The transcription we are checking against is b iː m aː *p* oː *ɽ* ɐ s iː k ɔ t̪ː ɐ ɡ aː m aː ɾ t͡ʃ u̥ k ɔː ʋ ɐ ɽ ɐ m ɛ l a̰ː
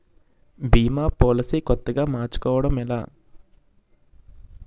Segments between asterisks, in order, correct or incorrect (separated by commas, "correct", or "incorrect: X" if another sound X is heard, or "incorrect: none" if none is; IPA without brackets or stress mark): correct, incorrect: l